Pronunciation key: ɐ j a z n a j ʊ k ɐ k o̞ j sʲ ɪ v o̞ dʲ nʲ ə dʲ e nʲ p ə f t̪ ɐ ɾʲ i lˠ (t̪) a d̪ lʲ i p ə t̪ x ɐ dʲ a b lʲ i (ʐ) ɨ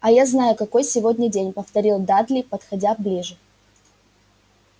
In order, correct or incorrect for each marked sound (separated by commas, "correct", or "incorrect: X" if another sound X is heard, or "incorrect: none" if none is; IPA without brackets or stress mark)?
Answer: incorrect: d̪, correct